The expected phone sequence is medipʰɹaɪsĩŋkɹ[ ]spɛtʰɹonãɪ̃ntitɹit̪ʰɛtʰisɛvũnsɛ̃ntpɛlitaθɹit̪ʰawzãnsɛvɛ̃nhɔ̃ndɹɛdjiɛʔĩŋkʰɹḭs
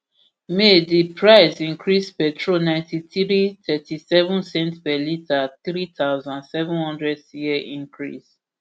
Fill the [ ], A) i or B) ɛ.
A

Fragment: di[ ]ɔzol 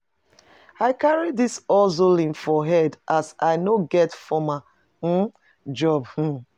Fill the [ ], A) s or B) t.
A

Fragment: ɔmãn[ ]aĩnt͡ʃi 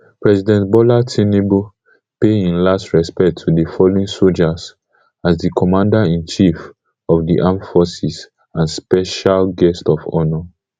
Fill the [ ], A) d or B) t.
A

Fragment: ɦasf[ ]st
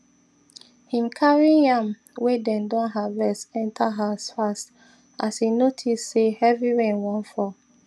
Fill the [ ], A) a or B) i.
A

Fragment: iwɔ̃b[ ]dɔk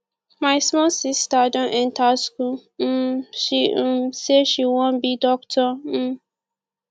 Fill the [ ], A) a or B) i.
B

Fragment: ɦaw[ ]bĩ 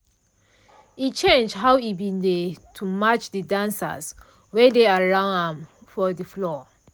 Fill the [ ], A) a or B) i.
B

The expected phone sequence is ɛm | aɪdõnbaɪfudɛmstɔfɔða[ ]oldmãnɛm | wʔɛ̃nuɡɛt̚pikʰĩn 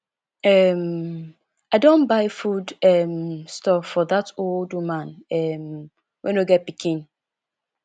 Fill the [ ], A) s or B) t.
B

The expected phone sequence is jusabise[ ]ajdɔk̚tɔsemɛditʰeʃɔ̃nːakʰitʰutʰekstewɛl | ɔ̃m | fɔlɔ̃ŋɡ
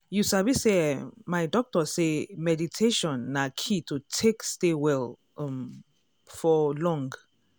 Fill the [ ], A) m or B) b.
A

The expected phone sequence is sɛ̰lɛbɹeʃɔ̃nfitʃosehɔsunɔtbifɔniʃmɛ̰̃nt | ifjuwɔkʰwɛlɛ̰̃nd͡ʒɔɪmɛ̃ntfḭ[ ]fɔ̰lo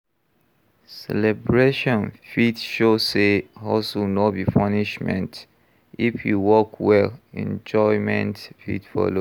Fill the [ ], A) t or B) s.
A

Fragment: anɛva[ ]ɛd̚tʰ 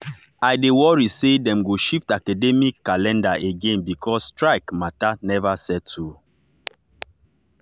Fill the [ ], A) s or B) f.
A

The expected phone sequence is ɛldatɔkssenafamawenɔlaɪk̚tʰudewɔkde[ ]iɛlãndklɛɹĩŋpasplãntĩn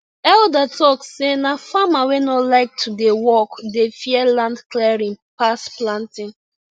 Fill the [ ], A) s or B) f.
B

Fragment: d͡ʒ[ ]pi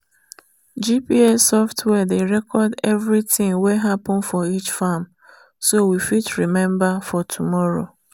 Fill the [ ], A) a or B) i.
B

